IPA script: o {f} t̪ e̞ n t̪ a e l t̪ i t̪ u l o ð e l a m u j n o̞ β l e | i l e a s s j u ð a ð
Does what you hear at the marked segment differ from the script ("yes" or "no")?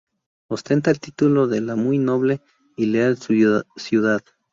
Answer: yes